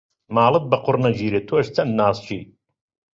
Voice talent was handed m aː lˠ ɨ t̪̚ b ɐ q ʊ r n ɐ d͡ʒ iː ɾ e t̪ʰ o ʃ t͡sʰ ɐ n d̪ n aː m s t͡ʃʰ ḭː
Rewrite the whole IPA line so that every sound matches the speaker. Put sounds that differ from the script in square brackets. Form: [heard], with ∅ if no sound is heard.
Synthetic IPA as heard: m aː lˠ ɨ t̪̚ b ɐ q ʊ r n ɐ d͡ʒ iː ɾ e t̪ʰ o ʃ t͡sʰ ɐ n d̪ n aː [∅] s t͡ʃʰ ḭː